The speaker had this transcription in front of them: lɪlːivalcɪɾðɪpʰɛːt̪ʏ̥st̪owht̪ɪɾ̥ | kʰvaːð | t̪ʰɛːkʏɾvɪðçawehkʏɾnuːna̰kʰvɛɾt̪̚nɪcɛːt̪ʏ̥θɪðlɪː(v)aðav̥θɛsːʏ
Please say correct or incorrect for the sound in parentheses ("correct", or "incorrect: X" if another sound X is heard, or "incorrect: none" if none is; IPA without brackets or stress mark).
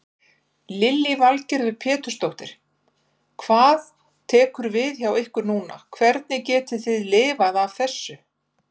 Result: correct